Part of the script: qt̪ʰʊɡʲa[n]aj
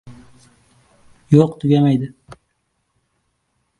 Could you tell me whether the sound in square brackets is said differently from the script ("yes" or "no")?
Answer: yes